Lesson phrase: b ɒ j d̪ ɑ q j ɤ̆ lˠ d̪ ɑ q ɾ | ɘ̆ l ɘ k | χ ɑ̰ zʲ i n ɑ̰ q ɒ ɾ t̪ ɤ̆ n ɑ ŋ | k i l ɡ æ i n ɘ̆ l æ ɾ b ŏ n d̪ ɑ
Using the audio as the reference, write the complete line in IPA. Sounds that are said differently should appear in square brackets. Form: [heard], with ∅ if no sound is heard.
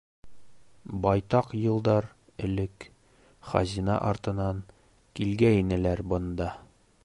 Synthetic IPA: b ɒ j [t̪] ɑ q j ɤ̆ lˠ d̪ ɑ [∅] ɾ | ɘ̆ l ɘ k | χ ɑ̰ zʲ i n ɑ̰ [ʔ] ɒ ɾ t̪ ɤ̆ n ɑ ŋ | k i l ɡ æ i n ɘ̆ l æ ɾ b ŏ n d̪ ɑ